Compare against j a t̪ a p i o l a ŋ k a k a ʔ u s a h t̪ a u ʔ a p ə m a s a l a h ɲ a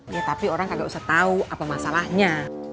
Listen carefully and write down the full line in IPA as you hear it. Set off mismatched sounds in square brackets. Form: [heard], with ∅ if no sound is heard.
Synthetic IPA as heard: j a t̪ a p i o [ɾ] a ŋ k a [ɡ] a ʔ u s a h t̪ a u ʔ a p [a] m a s a l a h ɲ a